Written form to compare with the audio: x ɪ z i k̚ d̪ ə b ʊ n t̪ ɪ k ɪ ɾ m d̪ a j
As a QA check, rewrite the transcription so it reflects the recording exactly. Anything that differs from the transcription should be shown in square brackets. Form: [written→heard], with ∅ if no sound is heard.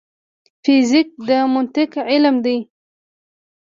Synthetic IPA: [x→f] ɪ z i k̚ d̪ ə [b→m] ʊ n t̪ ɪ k ɪ [ɾ→l] m d̪ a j